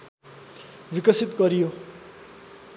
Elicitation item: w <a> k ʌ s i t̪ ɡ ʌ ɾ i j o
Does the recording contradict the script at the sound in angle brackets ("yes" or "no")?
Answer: yes